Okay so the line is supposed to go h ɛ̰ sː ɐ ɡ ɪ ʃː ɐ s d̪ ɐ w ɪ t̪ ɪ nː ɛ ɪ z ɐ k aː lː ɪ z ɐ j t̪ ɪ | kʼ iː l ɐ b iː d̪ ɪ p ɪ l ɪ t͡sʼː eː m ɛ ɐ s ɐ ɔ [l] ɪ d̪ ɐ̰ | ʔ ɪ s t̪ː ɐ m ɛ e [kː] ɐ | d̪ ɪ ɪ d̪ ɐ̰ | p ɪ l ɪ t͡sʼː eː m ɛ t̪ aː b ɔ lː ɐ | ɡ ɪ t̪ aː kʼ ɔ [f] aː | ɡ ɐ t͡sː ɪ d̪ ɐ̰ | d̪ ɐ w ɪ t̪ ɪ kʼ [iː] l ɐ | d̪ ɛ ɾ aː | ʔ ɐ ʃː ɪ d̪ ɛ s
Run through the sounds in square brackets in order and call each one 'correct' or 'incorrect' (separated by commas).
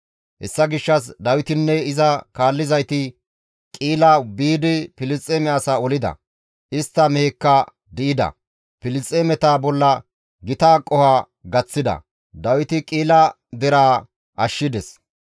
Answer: correct, correct, incorrect, correct